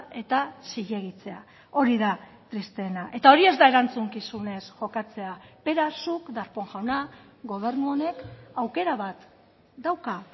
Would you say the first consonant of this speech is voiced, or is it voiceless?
voiceless